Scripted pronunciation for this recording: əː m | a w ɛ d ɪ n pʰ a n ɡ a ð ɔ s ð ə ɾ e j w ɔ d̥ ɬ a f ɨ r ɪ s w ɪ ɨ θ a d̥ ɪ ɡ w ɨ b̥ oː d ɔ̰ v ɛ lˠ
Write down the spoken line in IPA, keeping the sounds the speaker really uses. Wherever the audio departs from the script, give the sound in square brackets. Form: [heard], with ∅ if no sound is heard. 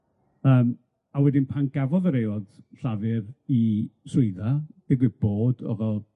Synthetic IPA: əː m | a w ɛ d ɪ n pʰ a n ɡ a [v] ɔ [∅] ð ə ɾ e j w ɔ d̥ ɬ a [v] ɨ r [i] s w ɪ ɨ [ð] a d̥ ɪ ɡ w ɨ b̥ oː d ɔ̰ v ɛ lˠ